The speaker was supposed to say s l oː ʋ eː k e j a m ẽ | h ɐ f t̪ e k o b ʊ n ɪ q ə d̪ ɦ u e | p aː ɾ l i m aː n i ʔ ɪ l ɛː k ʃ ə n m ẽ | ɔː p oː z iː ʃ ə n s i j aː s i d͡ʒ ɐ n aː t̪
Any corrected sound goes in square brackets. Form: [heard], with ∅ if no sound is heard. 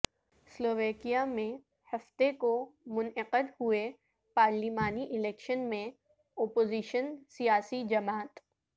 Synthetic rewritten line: s l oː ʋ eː k [i] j a m ẽ | h ɐ f t̪ e k o [m] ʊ n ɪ q ə d̪ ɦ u e | p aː ɾ l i m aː n i ʔ ɪ l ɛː k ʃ ə n m ẽ | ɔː p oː z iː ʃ ə n s i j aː s i d͡ʒ ɐ [m] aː t̪